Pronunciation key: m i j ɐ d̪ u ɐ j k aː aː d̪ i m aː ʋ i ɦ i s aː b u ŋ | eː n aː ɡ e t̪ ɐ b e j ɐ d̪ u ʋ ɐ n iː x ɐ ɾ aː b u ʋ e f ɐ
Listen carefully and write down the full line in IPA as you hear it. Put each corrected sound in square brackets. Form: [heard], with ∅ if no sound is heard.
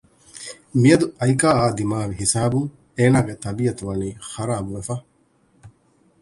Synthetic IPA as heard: m i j ɐ d̪ u ɐ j k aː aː d̪ i m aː ʋ i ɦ i s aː b u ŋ | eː n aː ɡ e t̪ ɐ b [i] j ɐ [t̪] u ʋ ɐ n iː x ɐ ɾ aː b u ʋ e f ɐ